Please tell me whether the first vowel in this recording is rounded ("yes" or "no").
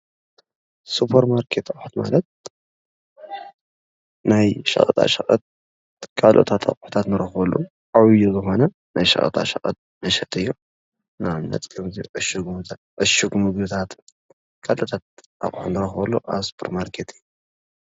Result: yes